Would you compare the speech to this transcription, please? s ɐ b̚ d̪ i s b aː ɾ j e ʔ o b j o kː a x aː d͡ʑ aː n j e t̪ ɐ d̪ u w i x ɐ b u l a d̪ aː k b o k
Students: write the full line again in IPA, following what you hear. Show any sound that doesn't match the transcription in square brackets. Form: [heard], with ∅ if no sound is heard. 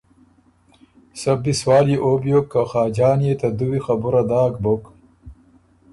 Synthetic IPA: s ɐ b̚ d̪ i s [w] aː [l] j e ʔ o b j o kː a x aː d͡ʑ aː n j e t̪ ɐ d̪ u w i x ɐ b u [ɾ] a d̪ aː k b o k